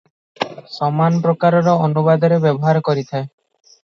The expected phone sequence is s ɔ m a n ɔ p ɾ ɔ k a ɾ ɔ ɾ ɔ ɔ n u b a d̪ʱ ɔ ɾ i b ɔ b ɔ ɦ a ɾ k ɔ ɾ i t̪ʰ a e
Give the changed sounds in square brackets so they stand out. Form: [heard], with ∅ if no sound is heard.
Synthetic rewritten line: s ɔ m a n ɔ p ɾ ɔ k a ɾ ɔ ɾ ɔ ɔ n u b a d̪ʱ ɔ ɾ [e] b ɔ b ɔ ɦ a ɾ k ɔ ɾ i t̪ʰ a e